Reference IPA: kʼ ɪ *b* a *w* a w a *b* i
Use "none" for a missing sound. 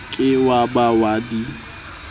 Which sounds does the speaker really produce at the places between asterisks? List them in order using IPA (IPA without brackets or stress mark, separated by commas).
w, b, d